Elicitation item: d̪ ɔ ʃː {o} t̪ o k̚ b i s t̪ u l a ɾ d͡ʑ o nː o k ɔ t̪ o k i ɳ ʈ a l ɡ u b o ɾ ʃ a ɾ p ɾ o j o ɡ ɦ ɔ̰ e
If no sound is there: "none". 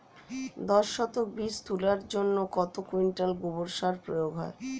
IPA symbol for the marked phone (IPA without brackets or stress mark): ɔ